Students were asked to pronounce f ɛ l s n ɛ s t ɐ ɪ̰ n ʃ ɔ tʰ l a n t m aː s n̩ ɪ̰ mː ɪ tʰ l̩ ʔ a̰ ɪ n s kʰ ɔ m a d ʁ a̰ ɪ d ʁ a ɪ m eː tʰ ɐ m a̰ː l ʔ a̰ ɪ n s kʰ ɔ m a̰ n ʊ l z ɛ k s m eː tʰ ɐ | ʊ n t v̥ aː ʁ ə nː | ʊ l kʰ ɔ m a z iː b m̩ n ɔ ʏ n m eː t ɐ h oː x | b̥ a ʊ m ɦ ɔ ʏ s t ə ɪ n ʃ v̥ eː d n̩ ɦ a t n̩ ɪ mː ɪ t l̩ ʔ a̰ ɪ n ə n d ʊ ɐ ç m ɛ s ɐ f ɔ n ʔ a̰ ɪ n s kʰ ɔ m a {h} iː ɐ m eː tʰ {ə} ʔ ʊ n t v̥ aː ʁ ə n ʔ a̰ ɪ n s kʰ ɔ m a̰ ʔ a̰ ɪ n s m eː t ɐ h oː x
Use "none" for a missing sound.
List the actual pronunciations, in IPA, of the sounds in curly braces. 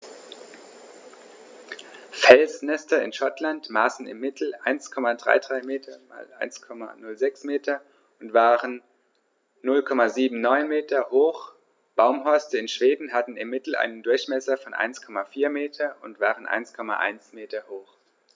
f, ɐ

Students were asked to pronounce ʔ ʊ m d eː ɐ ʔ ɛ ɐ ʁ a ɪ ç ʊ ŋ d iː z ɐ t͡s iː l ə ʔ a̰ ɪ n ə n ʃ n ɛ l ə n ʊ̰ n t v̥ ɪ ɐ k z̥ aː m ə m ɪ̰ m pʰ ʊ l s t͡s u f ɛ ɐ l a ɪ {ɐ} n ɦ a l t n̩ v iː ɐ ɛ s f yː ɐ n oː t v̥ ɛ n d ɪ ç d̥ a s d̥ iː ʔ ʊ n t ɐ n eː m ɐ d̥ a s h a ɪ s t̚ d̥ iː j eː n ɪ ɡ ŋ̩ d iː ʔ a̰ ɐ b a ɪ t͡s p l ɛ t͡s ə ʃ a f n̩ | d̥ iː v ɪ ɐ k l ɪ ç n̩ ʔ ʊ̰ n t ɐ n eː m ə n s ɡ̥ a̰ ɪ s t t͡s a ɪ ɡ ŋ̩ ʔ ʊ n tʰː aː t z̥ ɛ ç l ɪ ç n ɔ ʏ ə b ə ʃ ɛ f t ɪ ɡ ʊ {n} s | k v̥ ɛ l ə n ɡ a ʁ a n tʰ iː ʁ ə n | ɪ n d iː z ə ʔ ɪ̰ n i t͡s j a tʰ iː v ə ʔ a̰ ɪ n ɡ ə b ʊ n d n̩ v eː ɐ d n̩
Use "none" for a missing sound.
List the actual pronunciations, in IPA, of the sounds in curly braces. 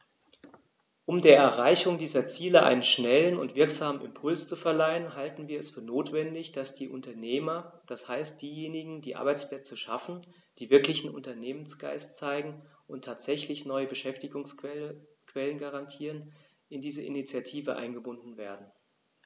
ə, ŋ

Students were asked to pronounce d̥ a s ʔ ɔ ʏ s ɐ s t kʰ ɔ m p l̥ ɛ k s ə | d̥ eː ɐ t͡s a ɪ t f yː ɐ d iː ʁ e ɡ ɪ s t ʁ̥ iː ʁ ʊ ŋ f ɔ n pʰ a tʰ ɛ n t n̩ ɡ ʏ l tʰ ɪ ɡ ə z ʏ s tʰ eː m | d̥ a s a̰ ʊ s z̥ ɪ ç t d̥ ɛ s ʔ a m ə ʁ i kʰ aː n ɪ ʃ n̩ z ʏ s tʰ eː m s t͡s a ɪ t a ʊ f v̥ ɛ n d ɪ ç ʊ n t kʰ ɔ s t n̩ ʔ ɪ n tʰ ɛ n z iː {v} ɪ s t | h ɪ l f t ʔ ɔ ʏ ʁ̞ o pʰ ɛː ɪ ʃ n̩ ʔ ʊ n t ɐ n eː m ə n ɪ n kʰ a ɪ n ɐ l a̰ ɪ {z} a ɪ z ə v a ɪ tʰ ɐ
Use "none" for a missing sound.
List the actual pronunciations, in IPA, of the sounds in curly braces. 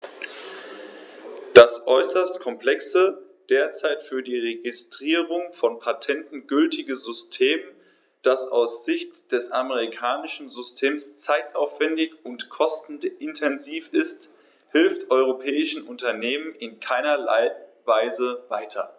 f, v

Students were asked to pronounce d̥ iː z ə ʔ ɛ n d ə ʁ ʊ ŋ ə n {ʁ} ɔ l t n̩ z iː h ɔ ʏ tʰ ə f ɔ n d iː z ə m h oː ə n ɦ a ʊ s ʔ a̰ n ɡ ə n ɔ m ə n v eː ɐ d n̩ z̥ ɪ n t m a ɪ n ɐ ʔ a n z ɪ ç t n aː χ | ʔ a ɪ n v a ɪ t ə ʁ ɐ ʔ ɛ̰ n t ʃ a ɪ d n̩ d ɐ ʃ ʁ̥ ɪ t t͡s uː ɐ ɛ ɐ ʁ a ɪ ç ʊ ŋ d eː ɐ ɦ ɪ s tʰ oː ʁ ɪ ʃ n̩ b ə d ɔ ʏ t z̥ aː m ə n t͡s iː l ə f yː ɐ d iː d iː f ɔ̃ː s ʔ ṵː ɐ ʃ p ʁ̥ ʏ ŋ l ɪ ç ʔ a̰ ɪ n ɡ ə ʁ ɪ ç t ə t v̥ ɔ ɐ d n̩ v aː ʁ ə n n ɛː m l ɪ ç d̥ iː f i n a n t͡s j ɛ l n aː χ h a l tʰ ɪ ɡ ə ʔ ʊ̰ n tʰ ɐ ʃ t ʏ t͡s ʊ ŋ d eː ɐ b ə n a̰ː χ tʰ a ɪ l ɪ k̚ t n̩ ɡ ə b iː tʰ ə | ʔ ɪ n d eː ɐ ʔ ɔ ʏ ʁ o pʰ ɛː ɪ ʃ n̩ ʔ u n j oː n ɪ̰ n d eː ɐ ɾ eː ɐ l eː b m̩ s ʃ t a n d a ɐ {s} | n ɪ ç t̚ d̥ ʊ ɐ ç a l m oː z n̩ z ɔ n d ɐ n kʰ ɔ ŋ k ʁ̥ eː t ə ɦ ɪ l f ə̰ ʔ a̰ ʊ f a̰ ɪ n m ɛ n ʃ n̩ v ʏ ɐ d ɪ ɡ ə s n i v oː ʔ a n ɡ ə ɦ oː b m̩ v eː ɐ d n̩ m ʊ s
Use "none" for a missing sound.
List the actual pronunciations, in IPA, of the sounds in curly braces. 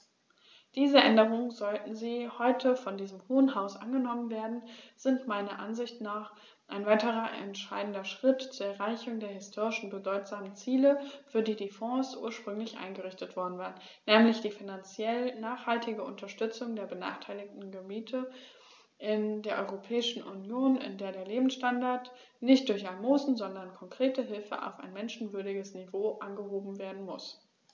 z, t

